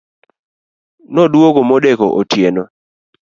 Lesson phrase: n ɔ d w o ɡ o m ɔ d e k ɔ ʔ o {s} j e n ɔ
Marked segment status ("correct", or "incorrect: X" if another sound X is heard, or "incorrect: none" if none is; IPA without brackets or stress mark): incorrect: t